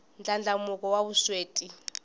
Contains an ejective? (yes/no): yes